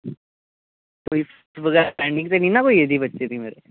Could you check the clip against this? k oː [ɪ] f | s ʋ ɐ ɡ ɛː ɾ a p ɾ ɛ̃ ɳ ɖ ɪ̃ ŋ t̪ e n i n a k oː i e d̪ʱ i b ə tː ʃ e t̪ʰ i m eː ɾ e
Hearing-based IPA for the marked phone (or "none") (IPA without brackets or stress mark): i